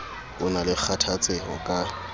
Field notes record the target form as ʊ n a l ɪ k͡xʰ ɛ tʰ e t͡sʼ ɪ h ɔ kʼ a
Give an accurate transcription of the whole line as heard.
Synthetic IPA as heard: ʊ n a l ɪ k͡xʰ a tʰ a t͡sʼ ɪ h ɔ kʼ a